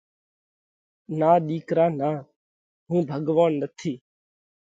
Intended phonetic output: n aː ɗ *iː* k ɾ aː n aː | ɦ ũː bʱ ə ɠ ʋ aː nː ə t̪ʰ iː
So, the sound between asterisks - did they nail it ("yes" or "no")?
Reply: yes